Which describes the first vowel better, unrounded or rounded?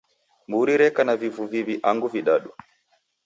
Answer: rounded